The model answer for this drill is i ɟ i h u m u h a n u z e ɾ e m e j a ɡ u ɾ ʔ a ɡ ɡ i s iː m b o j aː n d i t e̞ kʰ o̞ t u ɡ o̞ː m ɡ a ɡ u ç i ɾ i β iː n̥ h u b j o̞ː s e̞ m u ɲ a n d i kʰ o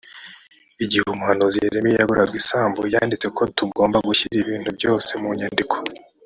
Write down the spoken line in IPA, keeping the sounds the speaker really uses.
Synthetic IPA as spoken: i ɟ i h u m u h a n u z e ɾ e m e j a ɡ u ɾ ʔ a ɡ ɡ i s aː m b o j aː n d i t͡s e̞ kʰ o̞ t u ɡ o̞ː m b a ɡ u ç i ɾ i β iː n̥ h u b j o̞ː s e̞ m u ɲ a n d i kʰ o